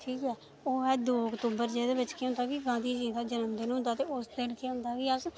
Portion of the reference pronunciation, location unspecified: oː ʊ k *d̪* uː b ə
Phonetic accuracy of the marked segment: incorrect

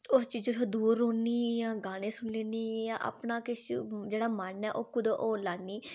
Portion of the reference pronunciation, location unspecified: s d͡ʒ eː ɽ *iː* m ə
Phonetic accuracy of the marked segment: incorrect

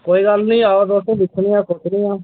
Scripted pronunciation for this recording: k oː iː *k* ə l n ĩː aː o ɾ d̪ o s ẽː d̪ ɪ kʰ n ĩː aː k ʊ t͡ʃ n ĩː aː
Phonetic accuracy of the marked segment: incorrect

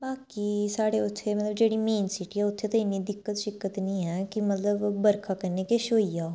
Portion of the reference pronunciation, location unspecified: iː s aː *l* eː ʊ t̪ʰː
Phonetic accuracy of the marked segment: incorrect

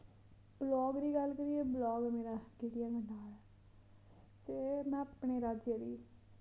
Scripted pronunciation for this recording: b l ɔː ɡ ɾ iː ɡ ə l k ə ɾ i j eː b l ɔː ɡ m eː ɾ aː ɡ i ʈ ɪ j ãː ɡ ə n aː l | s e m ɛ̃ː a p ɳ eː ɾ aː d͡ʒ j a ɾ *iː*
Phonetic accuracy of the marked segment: correct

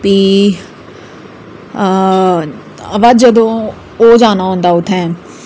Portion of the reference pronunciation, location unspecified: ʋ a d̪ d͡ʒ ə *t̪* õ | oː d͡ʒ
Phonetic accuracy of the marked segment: incorrect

